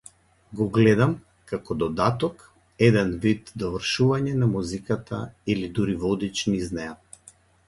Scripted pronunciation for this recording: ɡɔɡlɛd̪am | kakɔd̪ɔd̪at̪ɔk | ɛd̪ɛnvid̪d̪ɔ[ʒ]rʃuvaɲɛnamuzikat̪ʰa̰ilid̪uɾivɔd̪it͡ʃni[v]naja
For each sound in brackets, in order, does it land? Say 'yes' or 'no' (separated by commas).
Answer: no, no